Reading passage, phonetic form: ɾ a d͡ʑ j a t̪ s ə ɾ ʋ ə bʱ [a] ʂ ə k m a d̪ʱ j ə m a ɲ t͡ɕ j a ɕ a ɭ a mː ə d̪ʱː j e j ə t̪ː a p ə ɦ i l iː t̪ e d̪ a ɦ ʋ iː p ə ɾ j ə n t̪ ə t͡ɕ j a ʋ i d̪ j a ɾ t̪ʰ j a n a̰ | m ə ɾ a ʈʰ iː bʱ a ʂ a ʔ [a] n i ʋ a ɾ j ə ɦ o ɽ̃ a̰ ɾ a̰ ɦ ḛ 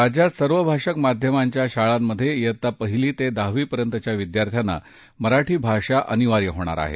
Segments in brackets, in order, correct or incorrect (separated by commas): correct, incorrect